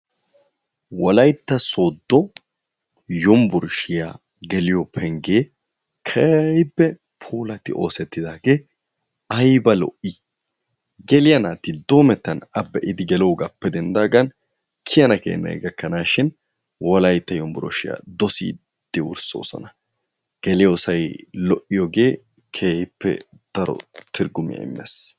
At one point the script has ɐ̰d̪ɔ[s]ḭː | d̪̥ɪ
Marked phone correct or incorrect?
correct